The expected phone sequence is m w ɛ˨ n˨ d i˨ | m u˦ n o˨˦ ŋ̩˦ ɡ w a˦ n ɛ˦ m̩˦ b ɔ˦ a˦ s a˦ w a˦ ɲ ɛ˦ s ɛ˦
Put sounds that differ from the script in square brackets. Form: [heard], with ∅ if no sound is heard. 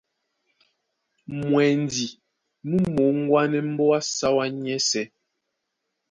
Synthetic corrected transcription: m w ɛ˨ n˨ d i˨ | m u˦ [m] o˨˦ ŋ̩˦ ɡ w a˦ n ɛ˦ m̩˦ b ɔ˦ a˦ s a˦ w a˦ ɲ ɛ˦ s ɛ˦